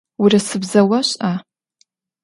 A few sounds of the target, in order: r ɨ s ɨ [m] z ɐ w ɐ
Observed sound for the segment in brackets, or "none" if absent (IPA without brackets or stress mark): b